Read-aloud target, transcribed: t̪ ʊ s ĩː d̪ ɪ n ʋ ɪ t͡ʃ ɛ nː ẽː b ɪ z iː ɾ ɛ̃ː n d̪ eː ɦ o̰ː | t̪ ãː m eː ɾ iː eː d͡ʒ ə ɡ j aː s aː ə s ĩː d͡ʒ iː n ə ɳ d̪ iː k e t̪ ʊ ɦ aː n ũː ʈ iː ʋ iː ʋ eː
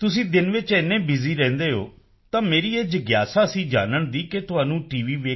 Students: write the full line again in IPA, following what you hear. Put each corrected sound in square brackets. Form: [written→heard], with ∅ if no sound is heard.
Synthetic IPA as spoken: t̪ ʊ s ĩː d̪ ɪ n ʋ ɪ t͡ʃ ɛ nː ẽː b ɪ z iː ɾ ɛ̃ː n d̪ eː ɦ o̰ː | t̪ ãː m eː ɾ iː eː d͡ʒ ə ɡ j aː s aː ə s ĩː d͡ʒ [iː→aː] n ə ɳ d̪ iː k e t̪ ʊ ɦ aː n ũː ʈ iː ʋ iː ʋ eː